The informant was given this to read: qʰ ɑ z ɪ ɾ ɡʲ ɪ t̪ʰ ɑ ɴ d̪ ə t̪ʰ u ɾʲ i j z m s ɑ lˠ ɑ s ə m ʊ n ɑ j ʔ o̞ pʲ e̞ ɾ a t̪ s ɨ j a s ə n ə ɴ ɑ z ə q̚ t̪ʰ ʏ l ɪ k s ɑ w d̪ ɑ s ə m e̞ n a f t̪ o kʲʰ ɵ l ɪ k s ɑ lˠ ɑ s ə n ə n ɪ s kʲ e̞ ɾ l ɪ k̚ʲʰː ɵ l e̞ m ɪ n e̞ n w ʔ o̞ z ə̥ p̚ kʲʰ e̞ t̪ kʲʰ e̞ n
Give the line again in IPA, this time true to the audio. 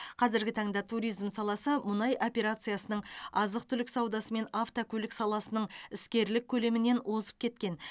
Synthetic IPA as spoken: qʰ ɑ z ɪ ɾ ɡʲ ɪ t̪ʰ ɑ ɴ d̪ ɑ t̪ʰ u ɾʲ i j z m s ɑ lˠ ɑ s ə m ʊ n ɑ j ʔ o̞ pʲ e̞ ɾ a t̪ s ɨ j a s ə n ə ɴ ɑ z ə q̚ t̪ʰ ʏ l ɪ k s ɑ w d̪ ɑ s ə m e̞ n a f t̪ o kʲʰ ɵ l ɪ k s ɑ lˠ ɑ s ə n ə ɴ ɪ s kʲ e̞ ɾ l ɪ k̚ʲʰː ɵ l e̞ m ɪ n e̞ n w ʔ o̞ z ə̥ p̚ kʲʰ e̞ t̪ kʲ e̞ n